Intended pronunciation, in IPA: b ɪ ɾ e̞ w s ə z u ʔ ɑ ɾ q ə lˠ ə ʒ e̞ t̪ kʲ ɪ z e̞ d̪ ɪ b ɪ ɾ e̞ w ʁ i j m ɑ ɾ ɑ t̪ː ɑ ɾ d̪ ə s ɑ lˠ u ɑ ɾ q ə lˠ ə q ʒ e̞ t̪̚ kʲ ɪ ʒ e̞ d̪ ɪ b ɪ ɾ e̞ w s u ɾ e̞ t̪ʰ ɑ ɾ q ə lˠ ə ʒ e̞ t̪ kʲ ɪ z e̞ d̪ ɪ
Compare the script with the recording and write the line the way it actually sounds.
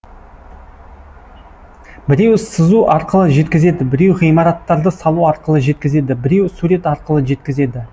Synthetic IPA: b ɪ ɾ e̞ w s ə z u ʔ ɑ ɾ q ə lˠ ə ʒ e̞ t̪ kʲ ɪ z e̞ d̪ ɪ b ɪ ɾ e̞ w ʁ i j m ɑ ɾ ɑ t̪ː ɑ ɾ d̪ ə s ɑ lˠ u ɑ ɾ q ə lˠ ə ʒ e̞ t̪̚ kʲ ɪ z e̞ d̪ ɪ b ɪ ɾ e̞ w s u ɾ e̞ t̪ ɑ ɾ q ə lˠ ə ʒ e̞ t̪ kʲ ɪ z e̞ d̪ ɪ